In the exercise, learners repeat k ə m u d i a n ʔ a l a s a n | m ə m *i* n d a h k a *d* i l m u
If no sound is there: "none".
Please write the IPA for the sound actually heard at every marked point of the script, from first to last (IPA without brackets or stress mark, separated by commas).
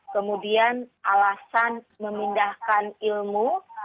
i, n